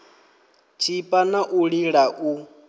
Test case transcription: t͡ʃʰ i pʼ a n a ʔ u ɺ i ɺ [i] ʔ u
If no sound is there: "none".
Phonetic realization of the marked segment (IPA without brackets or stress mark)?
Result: a